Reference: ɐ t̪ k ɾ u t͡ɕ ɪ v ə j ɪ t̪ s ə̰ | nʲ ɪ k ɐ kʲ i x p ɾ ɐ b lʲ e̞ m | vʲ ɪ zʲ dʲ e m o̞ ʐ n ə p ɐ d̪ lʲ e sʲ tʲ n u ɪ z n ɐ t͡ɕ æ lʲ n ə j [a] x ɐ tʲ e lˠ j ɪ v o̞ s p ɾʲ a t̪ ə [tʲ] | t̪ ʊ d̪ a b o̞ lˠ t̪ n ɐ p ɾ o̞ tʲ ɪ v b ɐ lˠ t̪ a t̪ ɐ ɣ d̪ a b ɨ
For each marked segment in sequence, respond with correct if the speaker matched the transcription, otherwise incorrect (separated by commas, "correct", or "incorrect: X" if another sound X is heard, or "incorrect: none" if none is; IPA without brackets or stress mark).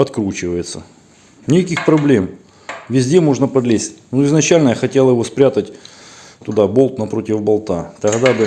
correct, correct